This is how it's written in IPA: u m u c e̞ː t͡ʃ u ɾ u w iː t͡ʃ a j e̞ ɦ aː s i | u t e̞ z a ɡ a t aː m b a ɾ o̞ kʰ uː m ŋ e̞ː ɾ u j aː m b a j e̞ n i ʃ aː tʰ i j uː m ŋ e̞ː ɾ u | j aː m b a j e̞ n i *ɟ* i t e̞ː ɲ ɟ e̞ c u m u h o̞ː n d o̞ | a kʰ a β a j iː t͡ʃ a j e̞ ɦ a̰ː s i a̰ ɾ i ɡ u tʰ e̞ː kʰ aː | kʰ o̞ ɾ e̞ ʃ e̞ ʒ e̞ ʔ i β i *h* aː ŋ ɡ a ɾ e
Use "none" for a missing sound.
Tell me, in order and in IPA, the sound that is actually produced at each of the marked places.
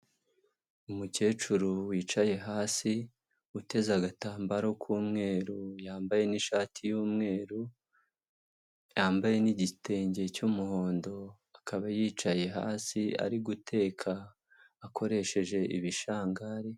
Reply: ɟ, ʃ

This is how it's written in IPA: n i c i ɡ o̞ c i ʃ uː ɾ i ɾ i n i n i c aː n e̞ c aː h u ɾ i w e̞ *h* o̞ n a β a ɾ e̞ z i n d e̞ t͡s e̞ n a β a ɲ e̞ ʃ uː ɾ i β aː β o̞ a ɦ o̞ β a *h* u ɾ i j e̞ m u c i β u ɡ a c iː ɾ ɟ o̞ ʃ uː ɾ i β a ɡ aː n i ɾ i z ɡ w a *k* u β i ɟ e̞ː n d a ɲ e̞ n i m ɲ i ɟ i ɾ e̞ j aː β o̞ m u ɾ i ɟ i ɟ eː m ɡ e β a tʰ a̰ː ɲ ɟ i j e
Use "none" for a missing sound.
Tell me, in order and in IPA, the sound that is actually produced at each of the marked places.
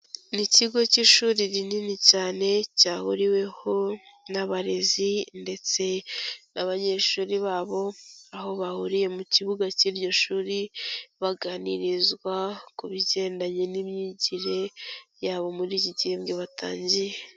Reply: h, h, k

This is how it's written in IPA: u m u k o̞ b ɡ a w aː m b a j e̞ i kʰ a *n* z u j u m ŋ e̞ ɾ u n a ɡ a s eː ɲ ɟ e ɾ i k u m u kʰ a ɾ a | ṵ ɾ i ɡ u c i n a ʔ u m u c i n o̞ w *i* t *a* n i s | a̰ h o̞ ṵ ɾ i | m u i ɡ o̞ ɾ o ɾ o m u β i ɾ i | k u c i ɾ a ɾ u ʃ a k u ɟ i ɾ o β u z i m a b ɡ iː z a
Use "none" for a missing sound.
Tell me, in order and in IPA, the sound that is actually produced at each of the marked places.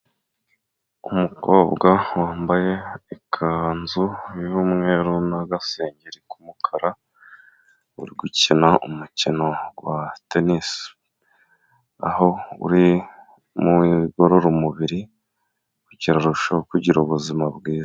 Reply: n, a, e

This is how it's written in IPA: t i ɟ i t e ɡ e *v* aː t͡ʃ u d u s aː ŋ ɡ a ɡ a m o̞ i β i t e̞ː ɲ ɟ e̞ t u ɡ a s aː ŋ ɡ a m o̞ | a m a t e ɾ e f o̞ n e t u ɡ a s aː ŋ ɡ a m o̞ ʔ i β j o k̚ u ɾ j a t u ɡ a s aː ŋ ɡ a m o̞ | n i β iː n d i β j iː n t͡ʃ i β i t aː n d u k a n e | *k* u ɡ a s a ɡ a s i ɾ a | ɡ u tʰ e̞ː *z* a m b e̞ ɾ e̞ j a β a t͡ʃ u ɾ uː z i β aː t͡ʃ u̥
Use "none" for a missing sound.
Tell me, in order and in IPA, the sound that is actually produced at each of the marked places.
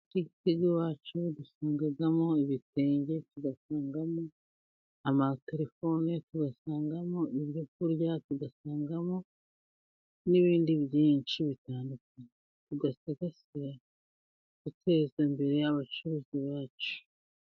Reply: w, t, z

